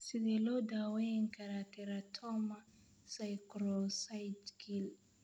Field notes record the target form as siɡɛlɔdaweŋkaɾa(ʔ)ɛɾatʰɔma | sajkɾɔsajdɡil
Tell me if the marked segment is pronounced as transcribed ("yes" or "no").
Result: no